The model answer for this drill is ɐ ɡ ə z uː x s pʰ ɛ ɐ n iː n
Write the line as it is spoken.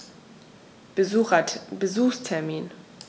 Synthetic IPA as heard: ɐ b ə z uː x s tʰ ɛ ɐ m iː n

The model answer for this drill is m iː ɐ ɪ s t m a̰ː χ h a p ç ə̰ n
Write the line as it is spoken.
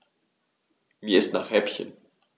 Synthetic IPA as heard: m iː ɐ ɪ s t n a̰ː χ h ɛ p ç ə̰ n

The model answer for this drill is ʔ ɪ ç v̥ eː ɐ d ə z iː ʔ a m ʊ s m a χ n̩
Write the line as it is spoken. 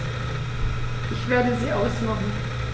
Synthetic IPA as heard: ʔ ɪ ç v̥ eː ɐ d ə z iː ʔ a ʊ s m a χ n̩

